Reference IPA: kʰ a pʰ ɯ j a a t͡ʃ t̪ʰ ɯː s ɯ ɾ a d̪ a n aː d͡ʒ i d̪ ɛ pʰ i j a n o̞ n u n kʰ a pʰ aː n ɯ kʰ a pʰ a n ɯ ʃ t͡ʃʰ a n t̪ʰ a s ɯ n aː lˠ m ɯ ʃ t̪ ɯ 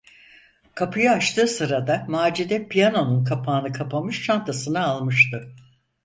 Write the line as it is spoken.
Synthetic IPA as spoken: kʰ a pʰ ɯ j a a t͡ʃ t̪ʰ ɯː s ɯ ɾ a d̪ a m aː d͡ʒ i d̪ ɛ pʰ i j a n o̞ n u n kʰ a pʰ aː n ɯ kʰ a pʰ a m ɯ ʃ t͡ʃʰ a n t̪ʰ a s ɯ n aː lˠ m ɯ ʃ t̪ ɯ